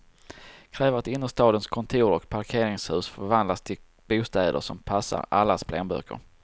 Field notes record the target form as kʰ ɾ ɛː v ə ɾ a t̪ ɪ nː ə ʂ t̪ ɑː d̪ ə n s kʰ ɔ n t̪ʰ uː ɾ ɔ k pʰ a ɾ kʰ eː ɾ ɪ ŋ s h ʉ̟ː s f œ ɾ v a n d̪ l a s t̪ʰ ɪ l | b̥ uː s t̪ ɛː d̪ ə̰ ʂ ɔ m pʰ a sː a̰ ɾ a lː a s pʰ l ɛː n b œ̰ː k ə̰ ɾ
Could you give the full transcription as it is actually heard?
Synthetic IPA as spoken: kʰ ɾ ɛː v ə ɾ a t̪ ɪ nː ə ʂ t̪ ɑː d̪ ə n s kʰ ɔ n t̪ʰ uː ɾ ɔ k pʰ a ɾ kʰ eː ɾ ɪ ŋ s h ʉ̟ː s f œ ɾ v a n d̪ l a s t̪ʰ ɪ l | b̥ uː s t̪ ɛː d̪ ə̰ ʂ ɔ m pʰ a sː a̰ ɾ a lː a s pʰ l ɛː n b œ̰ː k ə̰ ɾ

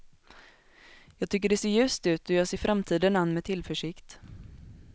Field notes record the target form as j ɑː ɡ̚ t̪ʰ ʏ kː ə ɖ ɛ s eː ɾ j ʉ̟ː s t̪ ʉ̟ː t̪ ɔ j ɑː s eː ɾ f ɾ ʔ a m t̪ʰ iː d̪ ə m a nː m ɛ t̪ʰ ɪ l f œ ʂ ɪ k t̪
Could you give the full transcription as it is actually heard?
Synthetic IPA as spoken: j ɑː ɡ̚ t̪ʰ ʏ kː ə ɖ ɛ s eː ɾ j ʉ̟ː s t̪ ʉ̟ː t̪ ɔ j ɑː s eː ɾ f ɾ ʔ a m t̪ʰ iː d̪ ə n a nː m ɛ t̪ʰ ɪ l f œ ʂ ɪ k t̪

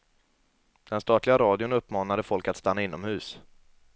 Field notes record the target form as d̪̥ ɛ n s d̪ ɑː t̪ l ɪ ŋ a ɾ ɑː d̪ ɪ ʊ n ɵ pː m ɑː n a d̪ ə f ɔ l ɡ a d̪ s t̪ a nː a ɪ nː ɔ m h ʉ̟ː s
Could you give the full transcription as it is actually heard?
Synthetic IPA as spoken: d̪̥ ɛ n s t̪ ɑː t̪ l ɪ ɡ a ɾ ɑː d̪ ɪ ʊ n ɵ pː m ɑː n a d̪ ə f ɔ l k a t̪ s t̪ a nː a ɪ nː ɔ m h ʉ̟ː s

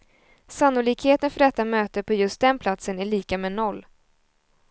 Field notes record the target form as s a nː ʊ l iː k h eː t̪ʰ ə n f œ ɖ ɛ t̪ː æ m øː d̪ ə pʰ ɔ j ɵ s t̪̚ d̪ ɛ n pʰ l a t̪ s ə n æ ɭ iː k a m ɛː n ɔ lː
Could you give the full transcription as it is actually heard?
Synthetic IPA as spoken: s a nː ʊ l iː k h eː t̪ ə n f œ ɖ ɛ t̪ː a m øː t̪ ə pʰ ɔ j ɵ s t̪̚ d̪ ɛ n pʰ l a t̪ s ə n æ ɭ iː k a m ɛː n ɔ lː

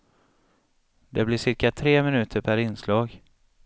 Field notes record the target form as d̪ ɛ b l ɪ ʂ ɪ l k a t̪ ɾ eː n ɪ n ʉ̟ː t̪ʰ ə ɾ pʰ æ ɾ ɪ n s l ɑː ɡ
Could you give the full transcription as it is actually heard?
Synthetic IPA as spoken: d̪ ɛ b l ɪ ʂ ɪ ɾ k a t̪ʰ ɾ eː m ɪ n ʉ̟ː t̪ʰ ə ɾ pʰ æ ɾ ɪ n s l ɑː ɡ

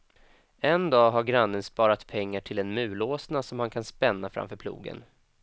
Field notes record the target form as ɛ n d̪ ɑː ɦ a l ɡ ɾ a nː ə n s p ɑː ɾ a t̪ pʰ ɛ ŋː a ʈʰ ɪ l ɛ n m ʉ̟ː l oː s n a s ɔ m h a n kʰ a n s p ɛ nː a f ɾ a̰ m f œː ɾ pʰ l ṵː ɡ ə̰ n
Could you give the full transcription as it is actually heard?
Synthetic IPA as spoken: ɛ n d̪ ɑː ɦ a ɾ ɡ ɾ a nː ə n s p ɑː ɾ a t̪ pʰ ɛ ŋː a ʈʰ ɪ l ɛ n m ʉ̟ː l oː s n a s ɔ m h a n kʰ a n s p ɛ nː a f ɾ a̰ m f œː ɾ pʰ l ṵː ɡ ə̰ n

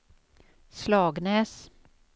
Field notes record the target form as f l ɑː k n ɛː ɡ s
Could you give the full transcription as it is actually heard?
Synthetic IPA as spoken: s l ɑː ɡ n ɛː s

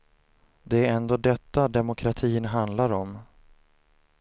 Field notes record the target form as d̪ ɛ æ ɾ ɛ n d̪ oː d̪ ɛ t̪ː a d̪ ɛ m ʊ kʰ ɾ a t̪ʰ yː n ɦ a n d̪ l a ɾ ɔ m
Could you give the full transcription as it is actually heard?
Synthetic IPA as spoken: d̪ ɛ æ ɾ ɛ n d̪ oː d̪ ɛ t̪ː a d̪ ɛ m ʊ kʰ ɾ a t̪ʰ iː n ɦ a n d̪ l a ɾ ɔ m

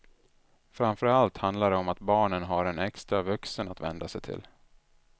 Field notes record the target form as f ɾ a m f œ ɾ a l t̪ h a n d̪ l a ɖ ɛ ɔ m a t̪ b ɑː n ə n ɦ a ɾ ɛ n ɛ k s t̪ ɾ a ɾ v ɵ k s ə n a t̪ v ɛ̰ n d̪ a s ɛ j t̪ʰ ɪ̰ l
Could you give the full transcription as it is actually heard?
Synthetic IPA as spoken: f ɾ a m f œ ɾ a l t̪ h a n d̪ l a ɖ ɛ ɔ m a t̪ b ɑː ɳ ə n ɦ a ɾ ɛ n ɛ k s t̪ ɾ a v ɵ k s ə n a t̪ v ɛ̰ n d̪ a s ɛ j t̪ʰ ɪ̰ l

